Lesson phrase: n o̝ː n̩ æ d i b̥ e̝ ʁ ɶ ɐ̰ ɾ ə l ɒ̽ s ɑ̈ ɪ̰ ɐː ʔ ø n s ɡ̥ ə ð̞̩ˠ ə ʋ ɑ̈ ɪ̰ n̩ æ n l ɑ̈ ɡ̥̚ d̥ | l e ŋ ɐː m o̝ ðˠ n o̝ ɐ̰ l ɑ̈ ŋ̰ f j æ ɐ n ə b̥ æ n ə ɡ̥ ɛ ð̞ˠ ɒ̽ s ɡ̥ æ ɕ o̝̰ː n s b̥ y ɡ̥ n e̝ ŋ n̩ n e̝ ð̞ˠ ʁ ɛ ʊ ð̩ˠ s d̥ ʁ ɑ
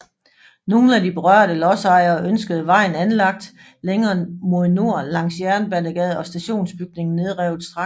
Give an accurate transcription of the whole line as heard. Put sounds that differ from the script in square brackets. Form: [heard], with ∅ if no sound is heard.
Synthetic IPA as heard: n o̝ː n̩ æ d i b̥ e̝ ʁ ɶ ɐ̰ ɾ ə l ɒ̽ s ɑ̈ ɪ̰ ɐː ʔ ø n s ɡ̥ ə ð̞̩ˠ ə ʋ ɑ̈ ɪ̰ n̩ æ n l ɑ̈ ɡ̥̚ d̥ | l e ŋ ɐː m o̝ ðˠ n o̝ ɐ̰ l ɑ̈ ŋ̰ [s] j æ ɐ n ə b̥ æ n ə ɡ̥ ɛ ð̞ˠ ɒ̽ s [d̥] æ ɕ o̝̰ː n s b̥ y ɡ̥ n e̝ ŋ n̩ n e̝ ð̞ˠ ʁ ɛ ʊ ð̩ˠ s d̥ ʁ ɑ